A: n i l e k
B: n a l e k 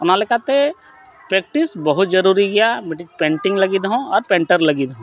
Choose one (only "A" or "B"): B